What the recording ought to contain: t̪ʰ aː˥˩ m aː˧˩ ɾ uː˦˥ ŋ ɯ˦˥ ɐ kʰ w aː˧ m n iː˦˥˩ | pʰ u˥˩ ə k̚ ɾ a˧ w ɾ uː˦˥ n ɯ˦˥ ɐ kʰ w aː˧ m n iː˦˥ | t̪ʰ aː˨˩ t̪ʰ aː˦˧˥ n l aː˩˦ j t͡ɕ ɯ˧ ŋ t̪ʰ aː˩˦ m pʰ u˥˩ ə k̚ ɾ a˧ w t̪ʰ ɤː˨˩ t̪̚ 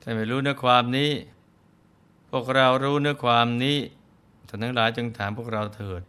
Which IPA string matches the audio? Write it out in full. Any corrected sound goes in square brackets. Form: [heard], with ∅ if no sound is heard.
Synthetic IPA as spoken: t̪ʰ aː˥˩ m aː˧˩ ɾ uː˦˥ [n] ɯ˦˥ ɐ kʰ w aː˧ m n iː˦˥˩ | pʰ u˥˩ ə k̚ ɾ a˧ w ɾ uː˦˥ n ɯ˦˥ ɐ kʰ w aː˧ m n iː˦˥ | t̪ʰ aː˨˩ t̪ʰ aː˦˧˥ [ŋ] l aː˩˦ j t͡ɕ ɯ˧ ŋ t̪ʰ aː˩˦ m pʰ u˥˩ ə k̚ ɾ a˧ w t̪ʰ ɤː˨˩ t̪̚